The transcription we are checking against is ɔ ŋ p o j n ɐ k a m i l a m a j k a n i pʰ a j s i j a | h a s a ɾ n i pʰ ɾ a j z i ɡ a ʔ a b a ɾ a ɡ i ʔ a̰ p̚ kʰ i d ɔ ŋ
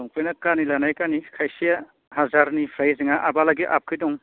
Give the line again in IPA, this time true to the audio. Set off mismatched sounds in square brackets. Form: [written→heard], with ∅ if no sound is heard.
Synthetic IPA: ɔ ŋ p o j n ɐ k a [m→n] i l a [m→n] a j k a n i [pʰ→kʰ] a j s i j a | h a [s→z] a ɾ n i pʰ ɾ a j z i [ɡ→ŋ] a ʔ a b a [ɾ→l] a ɡ i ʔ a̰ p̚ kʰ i d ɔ ŋ